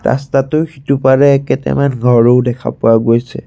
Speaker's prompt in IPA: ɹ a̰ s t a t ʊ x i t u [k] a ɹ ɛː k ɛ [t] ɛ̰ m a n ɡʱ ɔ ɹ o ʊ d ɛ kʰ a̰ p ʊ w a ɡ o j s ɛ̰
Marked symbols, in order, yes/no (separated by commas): no, yes